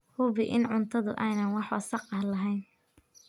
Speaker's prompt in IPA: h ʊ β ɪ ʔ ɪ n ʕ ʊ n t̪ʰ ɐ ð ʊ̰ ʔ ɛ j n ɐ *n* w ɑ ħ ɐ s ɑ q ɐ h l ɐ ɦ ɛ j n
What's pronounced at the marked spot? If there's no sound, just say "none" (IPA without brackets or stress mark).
n